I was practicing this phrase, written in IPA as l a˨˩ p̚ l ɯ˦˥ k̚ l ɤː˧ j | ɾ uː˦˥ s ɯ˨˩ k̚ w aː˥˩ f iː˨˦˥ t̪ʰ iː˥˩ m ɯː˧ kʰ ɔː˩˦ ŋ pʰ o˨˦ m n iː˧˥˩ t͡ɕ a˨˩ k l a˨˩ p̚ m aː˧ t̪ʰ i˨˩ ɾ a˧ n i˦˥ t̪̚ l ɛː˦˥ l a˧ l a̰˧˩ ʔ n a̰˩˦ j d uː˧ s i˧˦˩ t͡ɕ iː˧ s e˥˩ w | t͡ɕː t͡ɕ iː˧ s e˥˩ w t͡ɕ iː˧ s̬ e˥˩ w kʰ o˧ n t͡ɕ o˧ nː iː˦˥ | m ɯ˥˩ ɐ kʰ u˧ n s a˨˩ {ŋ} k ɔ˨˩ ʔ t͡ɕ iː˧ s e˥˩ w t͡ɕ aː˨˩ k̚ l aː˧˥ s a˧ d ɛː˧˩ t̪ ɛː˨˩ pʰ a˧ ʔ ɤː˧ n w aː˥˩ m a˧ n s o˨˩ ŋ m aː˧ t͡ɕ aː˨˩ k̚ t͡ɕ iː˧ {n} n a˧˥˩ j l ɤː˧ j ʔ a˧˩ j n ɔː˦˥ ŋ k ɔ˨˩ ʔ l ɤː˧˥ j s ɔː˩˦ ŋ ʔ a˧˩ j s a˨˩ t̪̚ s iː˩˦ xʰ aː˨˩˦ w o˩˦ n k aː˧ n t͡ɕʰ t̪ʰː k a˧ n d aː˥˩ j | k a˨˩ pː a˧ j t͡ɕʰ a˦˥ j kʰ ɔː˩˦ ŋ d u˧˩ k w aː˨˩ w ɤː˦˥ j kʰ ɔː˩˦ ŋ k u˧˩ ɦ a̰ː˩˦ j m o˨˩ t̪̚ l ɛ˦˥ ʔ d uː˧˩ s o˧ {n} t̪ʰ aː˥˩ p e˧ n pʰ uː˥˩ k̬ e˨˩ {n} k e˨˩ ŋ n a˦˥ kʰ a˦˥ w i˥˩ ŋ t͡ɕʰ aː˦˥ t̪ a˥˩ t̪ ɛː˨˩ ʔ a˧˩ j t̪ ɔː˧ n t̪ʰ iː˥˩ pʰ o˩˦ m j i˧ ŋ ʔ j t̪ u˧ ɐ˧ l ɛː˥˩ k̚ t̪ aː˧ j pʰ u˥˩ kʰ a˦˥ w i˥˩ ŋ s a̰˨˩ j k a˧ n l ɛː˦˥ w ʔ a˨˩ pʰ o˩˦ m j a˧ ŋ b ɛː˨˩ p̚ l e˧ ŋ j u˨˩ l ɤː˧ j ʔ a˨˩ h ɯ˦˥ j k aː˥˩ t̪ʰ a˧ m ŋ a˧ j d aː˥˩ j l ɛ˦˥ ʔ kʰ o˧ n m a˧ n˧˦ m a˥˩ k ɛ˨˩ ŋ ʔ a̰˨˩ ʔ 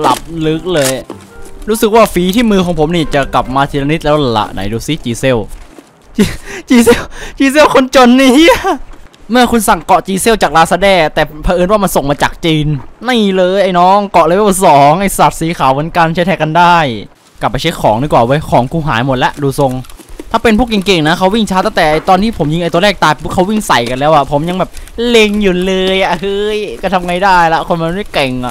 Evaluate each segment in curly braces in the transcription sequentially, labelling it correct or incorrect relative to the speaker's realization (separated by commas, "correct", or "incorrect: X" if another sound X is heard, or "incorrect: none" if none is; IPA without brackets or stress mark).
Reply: correct, correct, incorrect: ŋ, incorrect: ŋ